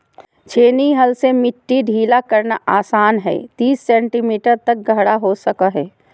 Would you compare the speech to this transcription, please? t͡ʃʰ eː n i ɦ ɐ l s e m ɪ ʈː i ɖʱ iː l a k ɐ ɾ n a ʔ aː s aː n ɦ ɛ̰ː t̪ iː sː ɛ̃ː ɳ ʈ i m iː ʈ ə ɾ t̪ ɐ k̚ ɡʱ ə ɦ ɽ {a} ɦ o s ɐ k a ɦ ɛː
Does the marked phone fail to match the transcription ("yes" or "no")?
no